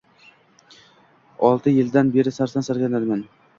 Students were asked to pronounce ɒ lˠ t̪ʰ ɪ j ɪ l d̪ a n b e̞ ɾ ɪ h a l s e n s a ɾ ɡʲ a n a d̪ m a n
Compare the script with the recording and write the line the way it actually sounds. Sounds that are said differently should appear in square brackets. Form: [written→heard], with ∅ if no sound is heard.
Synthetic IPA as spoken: ɒ lˠ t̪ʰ ɪ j ɪ l d̪ a n b e̞ ɾ ɪ [h→s] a [l→ɾ] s [e→a] n s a ɾ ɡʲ a n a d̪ m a n